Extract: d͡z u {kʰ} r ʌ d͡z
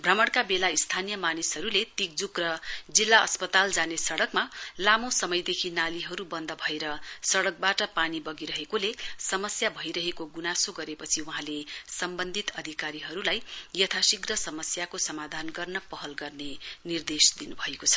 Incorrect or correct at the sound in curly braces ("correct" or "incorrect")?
incorrect